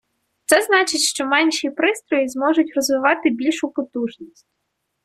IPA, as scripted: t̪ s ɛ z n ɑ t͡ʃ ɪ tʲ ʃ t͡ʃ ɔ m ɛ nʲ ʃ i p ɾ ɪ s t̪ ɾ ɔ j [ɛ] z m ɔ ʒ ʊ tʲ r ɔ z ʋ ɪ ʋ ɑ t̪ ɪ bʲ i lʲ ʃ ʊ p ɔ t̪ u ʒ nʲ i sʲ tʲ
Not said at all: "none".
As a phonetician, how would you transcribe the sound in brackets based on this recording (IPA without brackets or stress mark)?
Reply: i